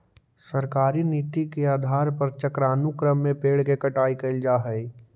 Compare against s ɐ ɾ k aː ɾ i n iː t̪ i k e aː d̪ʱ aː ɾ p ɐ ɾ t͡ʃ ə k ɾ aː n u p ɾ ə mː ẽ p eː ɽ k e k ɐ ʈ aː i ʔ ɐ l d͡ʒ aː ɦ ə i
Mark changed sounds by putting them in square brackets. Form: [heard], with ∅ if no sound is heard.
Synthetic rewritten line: s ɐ ɾ k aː ɾ i n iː t̪ i k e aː d̪ʱ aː ɾ p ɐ ɾ t͡ʃ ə k ɾ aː n u [k] ɾ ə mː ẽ p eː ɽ k e k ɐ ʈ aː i [k] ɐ l d͡ʒ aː ɦ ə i